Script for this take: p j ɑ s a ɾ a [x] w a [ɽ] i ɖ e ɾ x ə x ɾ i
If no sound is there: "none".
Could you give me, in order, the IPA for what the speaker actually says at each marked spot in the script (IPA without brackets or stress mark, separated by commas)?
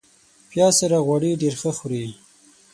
ɣ, ɽ